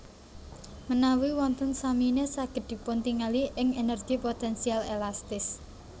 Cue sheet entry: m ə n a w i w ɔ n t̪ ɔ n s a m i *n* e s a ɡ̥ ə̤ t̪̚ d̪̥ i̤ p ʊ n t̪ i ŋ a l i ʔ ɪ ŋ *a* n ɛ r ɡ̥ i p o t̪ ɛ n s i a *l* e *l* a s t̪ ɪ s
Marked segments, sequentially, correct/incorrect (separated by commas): correct, incorrect, correct, correct